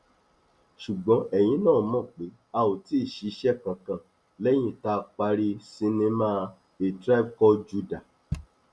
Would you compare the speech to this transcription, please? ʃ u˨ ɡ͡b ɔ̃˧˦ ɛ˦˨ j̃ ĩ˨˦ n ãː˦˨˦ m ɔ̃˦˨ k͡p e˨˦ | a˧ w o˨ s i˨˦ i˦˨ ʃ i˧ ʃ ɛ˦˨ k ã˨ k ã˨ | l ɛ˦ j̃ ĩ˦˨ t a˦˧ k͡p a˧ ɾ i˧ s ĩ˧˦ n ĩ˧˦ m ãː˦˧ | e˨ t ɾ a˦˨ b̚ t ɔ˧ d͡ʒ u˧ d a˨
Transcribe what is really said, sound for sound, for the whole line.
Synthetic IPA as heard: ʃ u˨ ɡ͡b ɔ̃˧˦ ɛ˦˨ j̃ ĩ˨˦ n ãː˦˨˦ m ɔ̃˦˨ k͡p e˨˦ | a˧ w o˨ t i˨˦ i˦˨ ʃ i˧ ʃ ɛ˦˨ k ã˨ k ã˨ | l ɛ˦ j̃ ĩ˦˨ t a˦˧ k͡p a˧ ɾ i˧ s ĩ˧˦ n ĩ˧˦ m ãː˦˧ | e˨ t ɾ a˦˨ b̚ k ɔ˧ d͡ʒ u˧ d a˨